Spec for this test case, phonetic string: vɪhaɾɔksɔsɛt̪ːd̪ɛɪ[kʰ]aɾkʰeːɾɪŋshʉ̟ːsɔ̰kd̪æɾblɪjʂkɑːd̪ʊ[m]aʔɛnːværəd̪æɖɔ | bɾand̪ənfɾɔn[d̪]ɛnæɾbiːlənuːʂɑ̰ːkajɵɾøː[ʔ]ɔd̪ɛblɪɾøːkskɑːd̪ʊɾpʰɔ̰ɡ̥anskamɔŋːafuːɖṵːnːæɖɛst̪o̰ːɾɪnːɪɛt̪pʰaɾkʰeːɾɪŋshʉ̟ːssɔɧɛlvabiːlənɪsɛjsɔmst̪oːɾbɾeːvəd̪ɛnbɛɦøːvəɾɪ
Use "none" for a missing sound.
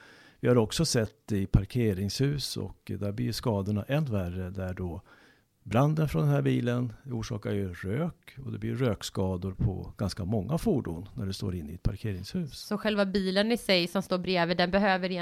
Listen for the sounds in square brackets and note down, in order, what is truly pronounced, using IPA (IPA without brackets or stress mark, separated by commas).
pʰ, ɳ, d̪, k